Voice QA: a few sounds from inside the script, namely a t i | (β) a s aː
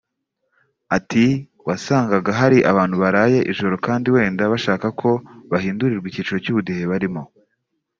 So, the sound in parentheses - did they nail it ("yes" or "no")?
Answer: no